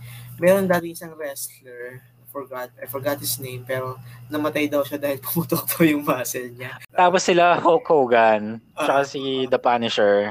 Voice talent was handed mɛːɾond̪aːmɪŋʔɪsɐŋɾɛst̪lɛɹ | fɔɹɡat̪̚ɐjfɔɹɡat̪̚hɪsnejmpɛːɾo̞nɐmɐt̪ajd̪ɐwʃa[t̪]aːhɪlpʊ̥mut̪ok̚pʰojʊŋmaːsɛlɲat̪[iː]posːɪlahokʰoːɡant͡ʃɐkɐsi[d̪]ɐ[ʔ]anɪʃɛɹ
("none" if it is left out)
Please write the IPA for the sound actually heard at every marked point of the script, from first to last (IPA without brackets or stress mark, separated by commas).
d̪, aː, d̪, p